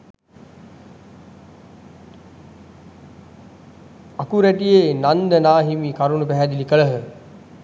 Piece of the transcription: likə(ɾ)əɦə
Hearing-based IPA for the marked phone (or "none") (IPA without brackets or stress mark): ɭ